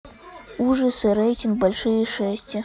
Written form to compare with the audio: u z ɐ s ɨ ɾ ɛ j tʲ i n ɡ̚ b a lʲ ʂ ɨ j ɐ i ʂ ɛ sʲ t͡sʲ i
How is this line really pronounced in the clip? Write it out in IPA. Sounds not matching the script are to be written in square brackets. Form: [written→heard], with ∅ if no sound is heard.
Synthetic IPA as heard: u [z→ʐ] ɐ s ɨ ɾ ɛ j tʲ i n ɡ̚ b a lʲ ʂ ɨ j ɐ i ʂ ɛ sʲ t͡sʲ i